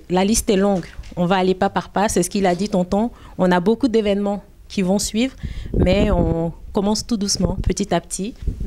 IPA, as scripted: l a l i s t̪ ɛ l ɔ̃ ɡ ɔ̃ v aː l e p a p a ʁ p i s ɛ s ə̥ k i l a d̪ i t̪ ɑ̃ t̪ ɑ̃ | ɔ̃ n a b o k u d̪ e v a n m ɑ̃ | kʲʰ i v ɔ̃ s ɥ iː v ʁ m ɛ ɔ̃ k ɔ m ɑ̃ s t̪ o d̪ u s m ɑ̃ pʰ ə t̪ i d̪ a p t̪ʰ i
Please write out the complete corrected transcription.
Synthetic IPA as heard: l a l i s t̪ ɛ l ɔ̃ ɡ ɔ̃ v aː l e p a p a ʁ p a s ɛ s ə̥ k i l a d̪ i t̪ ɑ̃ t̪ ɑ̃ | ɔ̃ n a b o k u d̪ e v ɛ n m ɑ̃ | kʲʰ i v ɔ̃ s ɥ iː v ʁ m ɛ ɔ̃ k ɔ m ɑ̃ s t̪ u d̪ u s m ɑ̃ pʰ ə t̪ i t̪ a p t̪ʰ i